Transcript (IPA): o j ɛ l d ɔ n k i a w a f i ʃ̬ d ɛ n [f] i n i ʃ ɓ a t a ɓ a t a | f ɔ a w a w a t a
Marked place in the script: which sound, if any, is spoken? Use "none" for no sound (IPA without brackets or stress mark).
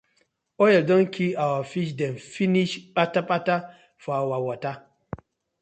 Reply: f